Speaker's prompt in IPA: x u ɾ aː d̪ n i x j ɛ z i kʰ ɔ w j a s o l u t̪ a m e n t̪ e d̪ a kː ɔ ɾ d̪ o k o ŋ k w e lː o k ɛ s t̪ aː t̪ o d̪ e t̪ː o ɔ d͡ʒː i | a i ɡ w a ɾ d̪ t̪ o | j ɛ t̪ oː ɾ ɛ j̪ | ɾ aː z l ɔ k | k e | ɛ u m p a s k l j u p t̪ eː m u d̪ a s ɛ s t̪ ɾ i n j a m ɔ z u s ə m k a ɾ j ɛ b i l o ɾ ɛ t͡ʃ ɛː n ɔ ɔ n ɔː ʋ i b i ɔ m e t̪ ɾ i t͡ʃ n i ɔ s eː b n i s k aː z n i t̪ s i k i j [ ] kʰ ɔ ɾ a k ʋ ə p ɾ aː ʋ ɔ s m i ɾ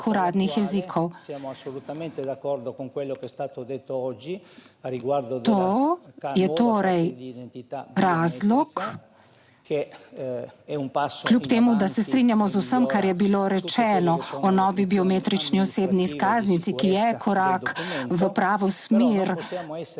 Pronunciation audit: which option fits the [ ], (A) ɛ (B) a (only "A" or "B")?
A